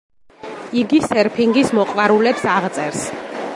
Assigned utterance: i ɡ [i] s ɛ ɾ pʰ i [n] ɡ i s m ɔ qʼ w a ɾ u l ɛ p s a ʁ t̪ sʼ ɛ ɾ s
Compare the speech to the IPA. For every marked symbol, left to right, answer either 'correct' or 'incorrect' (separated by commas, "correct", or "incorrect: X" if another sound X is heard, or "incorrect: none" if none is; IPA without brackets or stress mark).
correct, incorrect: ŋ